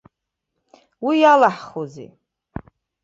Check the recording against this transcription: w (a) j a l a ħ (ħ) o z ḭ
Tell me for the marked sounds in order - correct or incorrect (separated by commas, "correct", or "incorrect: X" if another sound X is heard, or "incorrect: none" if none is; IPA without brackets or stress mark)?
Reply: incorrect: i, incorrect: χ